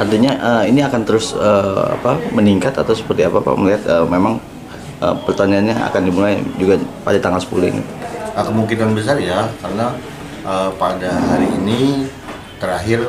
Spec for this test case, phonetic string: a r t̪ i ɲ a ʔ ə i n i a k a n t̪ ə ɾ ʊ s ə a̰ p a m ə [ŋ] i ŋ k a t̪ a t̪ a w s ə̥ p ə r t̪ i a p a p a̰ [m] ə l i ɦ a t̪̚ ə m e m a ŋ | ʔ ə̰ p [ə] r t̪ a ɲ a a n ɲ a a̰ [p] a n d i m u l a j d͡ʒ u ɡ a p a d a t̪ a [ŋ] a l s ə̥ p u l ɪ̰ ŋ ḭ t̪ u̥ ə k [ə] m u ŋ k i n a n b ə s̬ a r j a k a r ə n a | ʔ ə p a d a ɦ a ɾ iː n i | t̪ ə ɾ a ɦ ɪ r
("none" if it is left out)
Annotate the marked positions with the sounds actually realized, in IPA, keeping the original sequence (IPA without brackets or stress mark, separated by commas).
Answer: n, m, ə, k, ŋ, ə